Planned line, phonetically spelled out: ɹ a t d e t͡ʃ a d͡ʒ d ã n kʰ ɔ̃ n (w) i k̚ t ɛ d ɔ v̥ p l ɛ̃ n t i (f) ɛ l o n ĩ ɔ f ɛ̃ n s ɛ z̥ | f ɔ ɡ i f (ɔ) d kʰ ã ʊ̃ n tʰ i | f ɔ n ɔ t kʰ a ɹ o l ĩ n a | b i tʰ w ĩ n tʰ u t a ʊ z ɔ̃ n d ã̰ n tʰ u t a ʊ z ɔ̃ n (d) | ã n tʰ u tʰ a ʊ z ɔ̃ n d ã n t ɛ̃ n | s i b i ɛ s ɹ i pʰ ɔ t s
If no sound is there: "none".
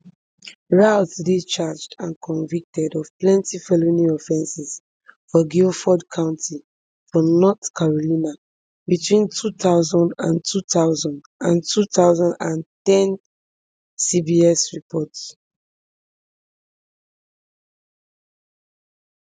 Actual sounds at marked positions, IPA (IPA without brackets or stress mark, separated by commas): v, f, ɔ, d